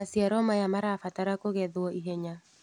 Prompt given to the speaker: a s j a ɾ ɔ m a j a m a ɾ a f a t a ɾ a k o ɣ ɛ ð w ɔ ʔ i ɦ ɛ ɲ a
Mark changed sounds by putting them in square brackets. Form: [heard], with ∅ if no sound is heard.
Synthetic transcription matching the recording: a s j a ɾ ɔ m a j a m a ɾ a f a t a ɾ a k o ɣ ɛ ð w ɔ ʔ i ɦ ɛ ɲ a

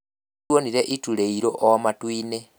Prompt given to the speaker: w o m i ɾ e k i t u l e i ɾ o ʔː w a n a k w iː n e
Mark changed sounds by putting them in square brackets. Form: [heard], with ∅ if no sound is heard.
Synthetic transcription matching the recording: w o [n] i ɾ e [ʔ] i t u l e i ɾ o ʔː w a [m] a [t] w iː n e

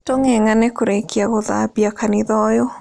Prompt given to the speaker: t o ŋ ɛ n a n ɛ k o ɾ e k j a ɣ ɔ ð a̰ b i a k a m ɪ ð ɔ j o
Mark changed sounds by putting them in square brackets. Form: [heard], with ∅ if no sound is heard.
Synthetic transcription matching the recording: t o ŋ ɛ [ŋ] a n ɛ k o ɾ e k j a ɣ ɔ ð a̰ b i a k a [n] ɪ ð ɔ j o

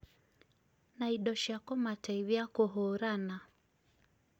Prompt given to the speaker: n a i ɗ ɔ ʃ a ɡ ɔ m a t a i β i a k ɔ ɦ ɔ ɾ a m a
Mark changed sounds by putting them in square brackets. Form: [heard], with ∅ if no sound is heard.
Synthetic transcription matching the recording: n a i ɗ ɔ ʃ a [k] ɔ m a t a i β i a k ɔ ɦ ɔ ɾ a [n] a

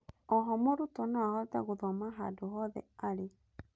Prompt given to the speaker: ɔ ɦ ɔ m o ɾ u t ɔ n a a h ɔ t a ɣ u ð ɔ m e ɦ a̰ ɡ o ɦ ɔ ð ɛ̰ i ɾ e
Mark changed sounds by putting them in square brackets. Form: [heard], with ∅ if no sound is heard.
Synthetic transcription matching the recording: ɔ ɦ ɔ m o ɾ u t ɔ n a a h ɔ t a ɣ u ð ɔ m [a] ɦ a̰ [d] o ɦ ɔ ð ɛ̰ [a] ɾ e

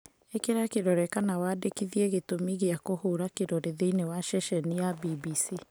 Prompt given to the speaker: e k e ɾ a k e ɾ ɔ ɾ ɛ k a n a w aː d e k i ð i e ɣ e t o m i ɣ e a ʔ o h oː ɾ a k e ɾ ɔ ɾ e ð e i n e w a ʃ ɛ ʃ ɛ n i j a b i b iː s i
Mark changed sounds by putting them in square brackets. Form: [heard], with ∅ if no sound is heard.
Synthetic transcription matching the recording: e k e ɾ a k e ɾ ɔ ɾ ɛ k a n a w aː d e k i ð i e ɣ e t o m i ɣ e a [k] o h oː ɾ a k e ɾ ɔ ɾ e ð e i n e w a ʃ ɛ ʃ ɛ n i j a b i b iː s i

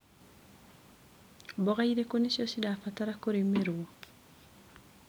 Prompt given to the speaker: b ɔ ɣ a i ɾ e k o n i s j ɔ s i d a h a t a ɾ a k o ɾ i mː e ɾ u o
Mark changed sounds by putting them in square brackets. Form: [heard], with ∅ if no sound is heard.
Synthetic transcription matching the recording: b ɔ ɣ a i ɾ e k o n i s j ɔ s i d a [f] a t a ɾ a k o ɾ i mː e ɾ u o

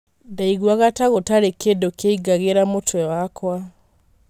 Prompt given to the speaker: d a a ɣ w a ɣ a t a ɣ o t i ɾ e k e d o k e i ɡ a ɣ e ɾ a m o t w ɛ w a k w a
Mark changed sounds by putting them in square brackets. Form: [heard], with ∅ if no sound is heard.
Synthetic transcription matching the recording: d a [i] ɣ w a ɣ a t a ɣ o t [a] ɾ e k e d o k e i ɡ a ɣ e ɾ a m o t w ɛ w a k w a

